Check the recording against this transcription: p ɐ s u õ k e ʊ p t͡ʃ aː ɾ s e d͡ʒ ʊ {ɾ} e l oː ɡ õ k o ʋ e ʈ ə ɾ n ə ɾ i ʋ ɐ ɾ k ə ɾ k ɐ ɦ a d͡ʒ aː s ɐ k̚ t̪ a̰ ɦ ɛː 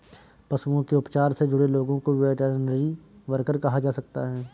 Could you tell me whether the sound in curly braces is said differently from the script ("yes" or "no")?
yes